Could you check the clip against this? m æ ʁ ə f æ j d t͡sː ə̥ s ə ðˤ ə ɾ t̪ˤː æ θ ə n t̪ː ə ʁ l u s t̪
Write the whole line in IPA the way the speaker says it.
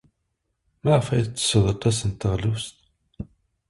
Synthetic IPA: m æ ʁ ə f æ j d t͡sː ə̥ s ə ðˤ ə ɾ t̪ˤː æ s ə n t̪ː ə ʁ l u s t̪